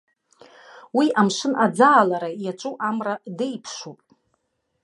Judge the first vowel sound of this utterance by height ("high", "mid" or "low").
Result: high